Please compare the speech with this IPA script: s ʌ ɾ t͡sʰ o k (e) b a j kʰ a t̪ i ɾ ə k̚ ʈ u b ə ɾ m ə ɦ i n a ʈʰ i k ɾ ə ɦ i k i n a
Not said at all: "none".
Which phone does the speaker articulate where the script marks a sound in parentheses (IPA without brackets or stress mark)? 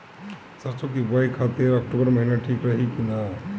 i